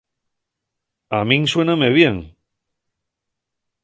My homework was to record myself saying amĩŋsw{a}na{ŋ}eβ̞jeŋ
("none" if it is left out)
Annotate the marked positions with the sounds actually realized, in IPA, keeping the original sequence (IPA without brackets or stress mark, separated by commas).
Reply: e, m